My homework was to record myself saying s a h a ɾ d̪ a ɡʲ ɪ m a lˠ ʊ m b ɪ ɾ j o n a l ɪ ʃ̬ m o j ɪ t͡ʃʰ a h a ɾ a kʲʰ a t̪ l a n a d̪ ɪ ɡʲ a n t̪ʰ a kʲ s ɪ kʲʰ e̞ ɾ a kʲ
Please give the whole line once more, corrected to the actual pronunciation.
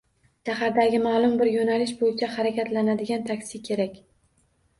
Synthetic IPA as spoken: ʃ a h a ɾ d̪ a ɡʲ ɪ m a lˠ ʊ m b ɪ ɾ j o n a l ɪ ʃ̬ b o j ɪ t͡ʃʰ a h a ɾ a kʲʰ a t̪ l a n a d̪ ɪ ɡʲ a n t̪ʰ a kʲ s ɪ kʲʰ e̞ ɾ a kʲ